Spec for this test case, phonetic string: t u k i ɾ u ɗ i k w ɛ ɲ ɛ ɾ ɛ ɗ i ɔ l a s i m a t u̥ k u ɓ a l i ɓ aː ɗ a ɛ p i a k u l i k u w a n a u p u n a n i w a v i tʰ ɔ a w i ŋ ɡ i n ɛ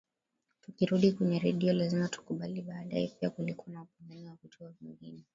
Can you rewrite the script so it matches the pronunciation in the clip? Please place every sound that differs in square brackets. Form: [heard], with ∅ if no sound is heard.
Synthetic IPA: t u k i ɾ u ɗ i k w ɛ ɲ ɛ ɾ ɛ ɗ i ɔ l a [z] i m a t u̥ k u ɓ a l i ɓ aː ɗ a ɛ p i a k u l i k u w a n a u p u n a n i w a v i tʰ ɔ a [v] i ŋ ɡ i n ɛ